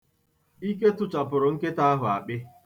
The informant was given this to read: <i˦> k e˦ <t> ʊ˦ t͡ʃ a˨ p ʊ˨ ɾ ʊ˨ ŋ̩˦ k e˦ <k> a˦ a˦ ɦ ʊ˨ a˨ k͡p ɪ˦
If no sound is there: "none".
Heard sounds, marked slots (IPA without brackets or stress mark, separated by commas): i˦, t, t